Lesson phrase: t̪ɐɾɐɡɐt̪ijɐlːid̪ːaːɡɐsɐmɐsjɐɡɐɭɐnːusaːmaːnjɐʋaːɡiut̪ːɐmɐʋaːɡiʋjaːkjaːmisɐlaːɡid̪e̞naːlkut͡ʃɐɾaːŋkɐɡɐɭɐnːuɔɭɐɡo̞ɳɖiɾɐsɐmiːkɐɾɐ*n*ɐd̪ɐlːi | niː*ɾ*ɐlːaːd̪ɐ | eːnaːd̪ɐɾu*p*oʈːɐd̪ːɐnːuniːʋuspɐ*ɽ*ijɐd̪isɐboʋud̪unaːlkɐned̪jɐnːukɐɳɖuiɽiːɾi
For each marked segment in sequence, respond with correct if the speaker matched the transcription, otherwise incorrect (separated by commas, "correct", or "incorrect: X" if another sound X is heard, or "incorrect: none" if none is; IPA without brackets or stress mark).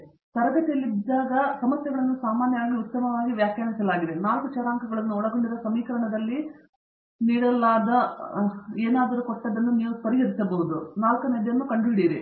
incorrect: ɳ, incorrect: ɽ, incorrect: k, incorrect: ɾ